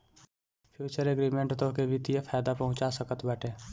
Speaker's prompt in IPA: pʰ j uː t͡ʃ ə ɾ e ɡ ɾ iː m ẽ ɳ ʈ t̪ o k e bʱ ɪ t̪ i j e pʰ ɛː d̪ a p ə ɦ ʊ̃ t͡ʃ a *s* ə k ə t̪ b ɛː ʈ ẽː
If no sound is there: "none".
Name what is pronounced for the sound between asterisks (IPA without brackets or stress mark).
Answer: s